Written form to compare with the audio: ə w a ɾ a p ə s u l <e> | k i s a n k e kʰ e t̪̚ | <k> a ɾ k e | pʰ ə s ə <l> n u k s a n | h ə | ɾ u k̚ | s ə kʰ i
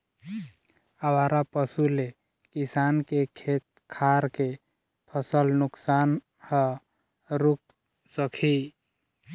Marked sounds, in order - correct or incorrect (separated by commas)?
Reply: correct, incorrect, correct